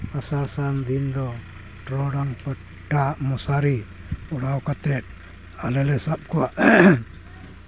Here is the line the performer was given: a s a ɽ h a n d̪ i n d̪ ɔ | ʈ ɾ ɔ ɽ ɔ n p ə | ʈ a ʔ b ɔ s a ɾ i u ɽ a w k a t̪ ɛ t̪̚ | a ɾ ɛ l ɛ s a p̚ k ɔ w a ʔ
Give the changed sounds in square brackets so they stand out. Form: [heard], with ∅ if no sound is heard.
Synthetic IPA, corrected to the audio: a s a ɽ [s] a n d̪ i n d̪ ɔ | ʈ ɾ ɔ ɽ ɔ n p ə | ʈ a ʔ [m] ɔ s a ɾ i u ɽ a w k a t̪ ɛ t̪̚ | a [l] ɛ l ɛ s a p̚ k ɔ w a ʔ